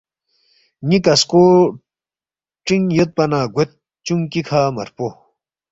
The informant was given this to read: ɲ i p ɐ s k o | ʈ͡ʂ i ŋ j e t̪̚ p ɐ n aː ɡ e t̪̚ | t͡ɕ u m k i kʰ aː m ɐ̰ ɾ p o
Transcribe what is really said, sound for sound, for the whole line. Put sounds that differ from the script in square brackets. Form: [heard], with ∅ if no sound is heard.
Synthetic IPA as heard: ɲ i [k] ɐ s k o | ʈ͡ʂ i ŋ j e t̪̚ p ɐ n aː ɡ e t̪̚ | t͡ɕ u [ŋ] k i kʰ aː m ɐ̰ ɾ p o